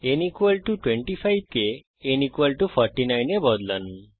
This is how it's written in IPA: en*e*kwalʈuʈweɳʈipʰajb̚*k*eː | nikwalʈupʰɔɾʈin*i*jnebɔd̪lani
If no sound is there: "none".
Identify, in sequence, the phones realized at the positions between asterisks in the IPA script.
i, k, a

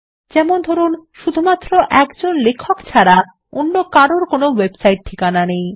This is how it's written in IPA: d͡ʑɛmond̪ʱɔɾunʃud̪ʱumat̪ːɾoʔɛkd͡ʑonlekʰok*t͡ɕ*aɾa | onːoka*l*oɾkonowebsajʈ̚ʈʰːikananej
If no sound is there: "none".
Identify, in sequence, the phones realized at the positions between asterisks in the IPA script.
t͡ɕʰ, ɾ

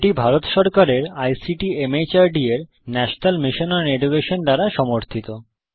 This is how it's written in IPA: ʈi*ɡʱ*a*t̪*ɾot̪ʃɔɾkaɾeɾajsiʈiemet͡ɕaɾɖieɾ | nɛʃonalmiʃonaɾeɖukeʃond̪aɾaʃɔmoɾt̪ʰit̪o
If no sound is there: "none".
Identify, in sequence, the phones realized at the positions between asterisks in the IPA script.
bʱ, none

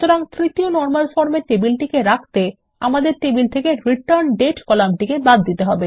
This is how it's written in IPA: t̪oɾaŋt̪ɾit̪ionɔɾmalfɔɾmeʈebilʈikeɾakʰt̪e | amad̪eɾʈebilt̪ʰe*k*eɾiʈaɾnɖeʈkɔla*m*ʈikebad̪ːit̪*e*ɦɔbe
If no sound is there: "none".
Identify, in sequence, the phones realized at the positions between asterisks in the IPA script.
k, m, e

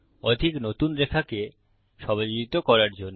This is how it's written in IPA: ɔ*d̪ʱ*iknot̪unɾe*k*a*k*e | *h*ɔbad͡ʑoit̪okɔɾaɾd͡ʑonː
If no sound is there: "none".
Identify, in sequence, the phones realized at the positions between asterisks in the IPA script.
d̪ʱ, kʰ, k, ʃ

